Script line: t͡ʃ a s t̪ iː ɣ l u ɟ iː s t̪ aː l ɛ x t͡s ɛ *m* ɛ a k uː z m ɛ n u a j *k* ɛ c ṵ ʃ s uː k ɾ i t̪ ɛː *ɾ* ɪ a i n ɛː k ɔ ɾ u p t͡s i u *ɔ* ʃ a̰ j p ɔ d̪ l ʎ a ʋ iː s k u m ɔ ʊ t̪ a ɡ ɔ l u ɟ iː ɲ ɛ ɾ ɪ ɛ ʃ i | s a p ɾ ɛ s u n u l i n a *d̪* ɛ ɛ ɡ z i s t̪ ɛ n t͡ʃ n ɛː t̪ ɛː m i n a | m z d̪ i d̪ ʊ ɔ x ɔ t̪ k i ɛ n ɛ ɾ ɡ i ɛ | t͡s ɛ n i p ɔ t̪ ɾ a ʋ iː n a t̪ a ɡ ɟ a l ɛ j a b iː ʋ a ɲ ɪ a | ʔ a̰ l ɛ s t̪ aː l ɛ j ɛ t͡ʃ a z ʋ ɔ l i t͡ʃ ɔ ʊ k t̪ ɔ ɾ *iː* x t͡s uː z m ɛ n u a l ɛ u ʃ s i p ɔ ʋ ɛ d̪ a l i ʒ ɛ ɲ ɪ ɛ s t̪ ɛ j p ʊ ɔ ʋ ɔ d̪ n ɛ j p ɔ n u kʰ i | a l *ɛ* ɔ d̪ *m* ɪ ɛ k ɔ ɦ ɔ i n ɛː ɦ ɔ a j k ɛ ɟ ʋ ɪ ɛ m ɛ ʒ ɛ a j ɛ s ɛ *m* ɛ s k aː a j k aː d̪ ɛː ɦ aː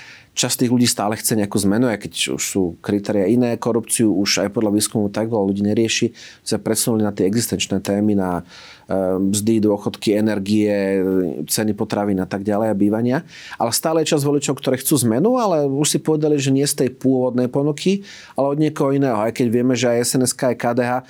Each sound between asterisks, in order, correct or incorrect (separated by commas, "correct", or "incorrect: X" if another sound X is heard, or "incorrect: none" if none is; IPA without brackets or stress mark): incorrect: ɲ, correct, correct, incorrect: u, incorrect: t̪, incorrect: ɛː, correct, incorrect: ɲ, incorrect: n